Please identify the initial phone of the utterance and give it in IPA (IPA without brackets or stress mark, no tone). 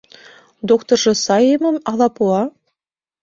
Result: d̪